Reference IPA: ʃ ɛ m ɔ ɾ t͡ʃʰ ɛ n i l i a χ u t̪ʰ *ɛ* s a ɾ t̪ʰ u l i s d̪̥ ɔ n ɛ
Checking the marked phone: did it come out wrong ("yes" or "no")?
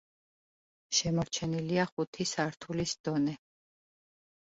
yes